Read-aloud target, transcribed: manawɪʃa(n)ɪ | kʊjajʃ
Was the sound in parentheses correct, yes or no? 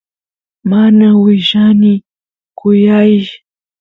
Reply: yes